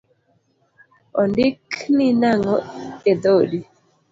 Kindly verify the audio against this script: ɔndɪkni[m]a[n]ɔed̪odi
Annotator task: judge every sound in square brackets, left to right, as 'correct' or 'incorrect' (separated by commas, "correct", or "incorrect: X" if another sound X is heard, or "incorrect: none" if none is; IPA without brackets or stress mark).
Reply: incorrect: n, incorrect: ŋ